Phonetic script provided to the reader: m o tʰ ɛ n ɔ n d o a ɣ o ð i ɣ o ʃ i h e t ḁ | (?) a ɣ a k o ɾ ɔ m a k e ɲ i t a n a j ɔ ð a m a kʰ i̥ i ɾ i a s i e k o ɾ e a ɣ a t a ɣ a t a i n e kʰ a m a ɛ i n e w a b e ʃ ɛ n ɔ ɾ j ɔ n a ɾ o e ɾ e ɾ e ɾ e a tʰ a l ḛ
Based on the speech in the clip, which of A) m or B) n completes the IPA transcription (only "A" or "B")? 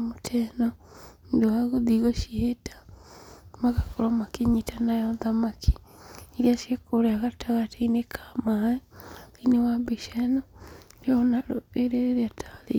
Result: A